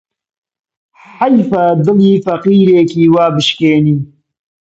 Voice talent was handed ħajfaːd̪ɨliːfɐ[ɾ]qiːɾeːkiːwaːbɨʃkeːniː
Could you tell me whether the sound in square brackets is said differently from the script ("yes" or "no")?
yes